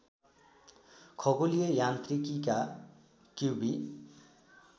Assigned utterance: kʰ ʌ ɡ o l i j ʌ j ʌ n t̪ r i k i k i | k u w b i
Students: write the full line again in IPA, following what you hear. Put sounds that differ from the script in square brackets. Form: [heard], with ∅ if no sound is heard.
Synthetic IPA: kʰ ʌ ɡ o l i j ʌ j [a] n t̪ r i k i k [a] | k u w b i